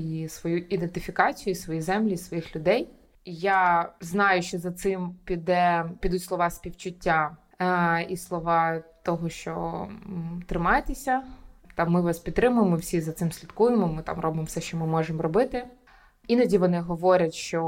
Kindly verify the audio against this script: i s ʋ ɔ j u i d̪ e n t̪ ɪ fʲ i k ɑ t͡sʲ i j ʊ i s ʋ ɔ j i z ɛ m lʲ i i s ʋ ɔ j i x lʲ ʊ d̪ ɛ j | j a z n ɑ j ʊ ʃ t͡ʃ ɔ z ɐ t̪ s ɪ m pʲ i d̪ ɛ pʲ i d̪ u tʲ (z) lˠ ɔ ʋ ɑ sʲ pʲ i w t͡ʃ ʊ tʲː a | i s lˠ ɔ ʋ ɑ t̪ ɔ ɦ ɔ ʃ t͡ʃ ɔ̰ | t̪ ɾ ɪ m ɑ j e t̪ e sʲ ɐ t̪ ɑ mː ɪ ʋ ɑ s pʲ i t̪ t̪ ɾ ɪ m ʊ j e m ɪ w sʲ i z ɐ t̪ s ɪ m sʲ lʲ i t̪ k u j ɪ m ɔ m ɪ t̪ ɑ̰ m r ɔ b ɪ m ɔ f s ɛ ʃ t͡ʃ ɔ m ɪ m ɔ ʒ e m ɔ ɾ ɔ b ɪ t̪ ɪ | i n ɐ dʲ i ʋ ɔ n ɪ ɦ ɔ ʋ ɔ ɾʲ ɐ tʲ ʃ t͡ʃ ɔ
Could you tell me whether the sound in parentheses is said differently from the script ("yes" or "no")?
yes